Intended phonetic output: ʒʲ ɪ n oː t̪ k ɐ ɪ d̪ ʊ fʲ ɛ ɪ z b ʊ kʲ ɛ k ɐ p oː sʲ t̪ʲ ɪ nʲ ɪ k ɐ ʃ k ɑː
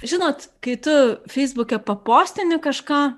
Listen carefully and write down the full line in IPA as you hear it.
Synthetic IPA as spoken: ʒʲ ɪ n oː t̪ k ɐ ɪ t̪ ʊ fʲ ɛ ɪ z b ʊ kʲ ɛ p ɐ p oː sʲ t̪ʲ ɪ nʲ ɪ k ɐ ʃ k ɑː